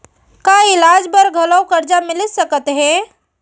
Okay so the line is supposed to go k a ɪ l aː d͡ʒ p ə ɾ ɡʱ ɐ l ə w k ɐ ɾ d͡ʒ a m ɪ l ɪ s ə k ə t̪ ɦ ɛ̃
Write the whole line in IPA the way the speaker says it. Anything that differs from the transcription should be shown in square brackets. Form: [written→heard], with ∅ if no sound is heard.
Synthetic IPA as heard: k a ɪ l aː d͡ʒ [p→b] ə ɾ ɡʱ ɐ l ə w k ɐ ɾ d͡ʒ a m ɪ l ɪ s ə k ə t̪ ɦ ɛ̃